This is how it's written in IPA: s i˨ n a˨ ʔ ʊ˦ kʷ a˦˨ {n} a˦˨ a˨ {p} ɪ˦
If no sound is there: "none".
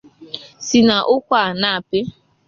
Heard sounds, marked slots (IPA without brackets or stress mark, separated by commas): n, p